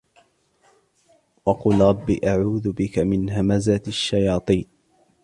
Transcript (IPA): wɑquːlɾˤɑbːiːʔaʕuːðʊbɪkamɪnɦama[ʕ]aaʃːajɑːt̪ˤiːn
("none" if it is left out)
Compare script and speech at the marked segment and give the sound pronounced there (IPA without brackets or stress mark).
z